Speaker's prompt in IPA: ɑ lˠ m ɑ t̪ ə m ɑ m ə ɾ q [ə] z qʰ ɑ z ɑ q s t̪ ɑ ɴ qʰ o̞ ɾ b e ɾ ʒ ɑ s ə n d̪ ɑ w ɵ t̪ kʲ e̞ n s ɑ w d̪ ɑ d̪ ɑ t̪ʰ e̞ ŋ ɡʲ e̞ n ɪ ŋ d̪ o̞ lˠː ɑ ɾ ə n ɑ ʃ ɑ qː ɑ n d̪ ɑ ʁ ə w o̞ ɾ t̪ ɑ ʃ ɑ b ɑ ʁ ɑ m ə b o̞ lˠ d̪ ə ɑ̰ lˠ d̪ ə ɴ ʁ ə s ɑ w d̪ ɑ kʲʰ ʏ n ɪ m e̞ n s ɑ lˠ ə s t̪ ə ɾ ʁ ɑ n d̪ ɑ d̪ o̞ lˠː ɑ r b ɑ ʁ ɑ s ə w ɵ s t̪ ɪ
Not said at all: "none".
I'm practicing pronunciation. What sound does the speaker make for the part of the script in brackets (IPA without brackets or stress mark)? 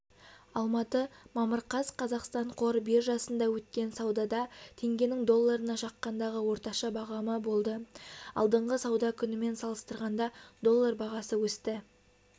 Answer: ɑ